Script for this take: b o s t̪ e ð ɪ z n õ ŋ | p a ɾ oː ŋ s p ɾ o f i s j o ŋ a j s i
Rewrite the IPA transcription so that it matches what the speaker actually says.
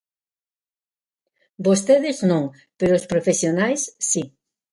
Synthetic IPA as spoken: b o s t̪ e ð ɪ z n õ ŋ | p e ɾ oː s p ɾ o f e s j o n a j sː i